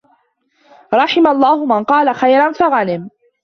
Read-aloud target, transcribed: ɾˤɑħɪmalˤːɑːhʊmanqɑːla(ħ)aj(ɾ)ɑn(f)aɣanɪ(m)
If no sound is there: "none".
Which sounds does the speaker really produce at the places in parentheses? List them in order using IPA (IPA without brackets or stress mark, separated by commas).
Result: x, ɾ, f, m